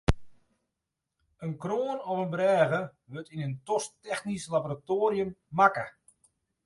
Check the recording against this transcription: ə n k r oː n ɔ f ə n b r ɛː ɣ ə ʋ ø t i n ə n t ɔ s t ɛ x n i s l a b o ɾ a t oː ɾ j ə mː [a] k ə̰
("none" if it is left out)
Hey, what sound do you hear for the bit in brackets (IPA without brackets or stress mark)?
a